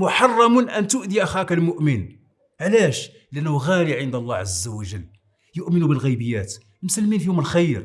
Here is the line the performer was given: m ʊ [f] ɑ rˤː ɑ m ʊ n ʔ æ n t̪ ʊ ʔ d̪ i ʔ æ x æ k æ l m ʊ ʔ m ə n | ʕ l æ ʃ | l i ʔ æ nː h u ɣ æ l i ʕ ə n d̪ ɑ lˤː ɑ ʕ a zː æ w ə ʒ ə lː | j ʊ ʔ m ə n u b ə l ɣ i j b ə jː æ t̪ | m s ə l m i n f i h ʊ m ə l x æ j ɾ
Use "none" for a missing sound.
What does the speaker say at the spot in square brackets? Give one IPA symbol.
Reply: ħ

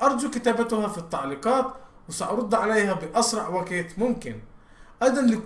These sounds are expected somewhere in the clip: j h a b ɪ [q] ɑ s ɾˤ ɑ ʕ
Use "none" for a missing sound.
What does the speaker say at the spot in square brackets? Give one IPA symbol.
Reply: ʔ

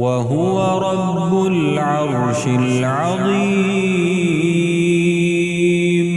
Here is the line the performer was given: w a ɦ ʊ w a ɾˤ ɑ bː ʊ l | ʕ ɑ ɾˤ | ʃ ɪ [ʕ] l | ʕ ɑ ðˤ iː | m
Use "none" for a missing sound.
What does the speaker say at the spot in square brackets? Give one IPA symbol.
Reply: none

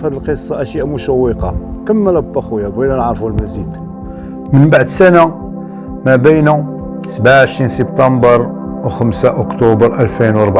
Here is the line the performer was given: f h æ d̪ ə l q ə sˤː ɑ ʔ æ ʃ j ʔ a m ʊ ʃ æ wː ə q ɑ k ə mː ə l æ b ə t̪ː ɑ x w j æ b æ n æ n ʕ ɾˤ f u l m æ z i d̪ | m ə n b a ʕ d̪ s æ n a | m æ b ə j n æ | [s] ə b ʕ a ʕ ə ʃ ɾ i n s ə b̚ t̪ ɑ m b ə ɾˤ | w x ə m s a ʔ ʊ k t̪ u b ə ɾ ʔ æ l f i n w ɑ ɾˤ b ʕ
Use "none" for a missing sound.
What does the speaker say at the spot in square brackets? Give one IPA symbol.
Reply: s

